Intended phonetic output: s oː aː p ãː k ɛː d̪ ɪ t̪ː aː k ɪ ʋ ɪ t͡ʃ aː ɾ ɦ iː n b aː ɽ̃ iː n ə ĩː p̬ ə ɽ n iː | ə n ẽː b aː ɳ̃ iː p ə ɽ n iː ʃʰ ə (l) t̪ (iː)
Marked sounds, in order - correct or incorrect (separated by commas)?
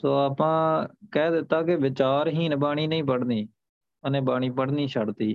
incorrect, correct